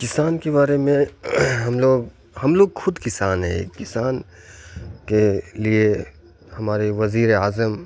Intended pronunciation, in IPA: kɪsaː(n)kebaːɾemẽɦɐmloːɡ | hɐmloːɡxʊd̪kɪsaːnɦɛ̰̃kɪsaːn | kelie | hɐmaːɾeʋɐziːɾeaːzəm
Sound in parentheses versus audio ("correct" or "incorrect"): correct